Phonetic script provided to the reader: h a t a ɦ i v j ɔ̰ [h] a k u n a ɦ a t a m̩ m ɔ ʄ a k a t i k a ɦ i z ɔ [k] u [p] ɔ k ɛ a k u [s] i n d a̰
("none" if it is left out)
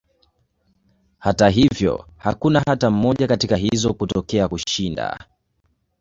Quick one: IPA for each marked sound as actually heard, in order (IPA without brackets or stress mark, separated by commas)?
h, k, t, ʃ